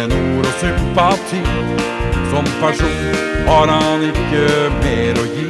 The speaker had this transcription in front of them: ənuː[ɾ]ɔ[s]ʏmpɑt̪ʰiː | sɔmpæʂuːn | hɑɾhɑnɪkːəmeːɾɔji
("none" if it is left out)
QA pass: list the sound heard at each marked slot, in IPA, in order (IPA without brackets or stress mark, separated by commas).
ɾ, s